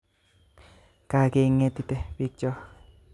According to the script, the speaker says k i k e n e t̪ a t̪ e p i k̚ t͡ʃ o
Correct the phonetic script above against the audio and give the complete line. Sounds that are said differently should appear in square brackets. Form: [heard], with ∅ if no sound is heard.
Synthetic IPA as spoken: k [a] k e [ŋ] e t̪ [i] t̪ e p i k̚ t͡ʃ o

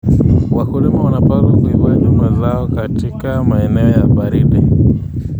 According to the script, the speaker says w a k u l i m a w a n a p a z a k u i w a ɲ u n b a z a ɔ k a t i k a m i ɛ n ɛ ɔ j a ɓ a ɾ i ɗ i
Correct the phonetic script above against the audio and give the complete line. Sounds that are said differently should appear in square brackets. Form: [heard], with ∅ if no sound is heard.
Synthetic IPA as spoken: w a k u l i m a w a n a p a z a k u i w a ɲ u [m] b a z a ɔ k a t i k a m [a] ɛ n ɛ ɔ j a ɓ a ɾ i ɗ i

